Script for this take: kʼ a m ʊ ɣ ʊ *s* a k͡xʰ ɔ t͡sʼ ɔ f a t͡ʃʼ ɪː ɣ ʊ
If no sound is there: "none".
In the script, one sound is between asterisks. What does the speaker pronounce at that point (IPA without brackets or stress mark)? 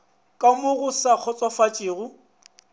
s